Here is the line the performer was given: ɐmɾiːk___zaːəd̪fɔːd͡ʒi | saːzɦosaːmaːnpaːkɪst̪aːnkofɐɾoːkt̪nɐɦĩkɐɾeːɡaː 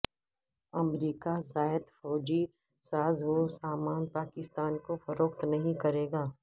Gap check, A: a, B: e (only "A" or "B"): A